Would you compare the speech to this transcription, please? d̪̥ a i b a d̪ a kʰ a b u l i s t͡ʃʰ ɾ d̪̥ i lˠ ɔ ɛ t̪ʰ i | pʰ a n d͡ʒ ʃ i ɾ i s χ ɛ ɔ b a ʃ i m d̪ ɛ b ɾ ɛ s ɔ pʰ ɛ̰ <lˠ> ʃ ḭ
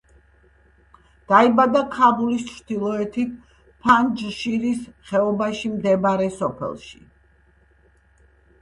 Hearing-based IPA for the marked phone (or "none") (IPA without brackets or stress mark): lˠ